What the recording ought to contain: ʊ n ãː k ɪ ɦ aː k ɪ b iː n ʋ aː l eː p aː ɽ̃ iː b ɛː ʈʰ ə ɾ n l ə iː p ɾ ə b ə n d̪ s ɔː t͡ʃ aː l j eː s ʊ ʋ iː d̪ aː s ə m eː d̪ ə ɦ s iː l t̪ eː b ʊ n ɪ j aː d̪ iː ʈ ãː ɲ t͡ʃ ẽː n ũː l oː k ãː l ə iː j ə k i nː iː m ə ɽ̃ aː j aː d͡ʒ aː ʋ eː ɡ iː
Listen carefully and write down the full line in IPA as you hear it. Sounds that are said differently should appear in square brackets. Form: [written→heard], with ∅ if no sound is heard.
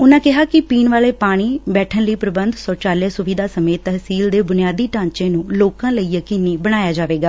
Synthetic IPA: ʊ n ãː k ɪ ɦ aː k ɪ [b→p] iː n ʋ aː l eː p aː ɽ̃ iː b ɛː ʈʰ ə [ɾ→∅] n l ə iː p ɾ ə b ə n d̪ s ɔː t͡ʃ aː l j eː s ʊ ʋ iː d̪ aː s ə m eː [d̪→t̪] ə ɦ s iː l [t̪→d̪] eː b ʊ n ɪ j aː d̪ iː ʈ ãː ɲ t͡ʃ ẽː n ũː l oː k ãː l ə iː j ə k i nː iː [m→b] ə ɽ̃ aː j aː d͡ʒ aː ʋ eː ɡ [iː→aː]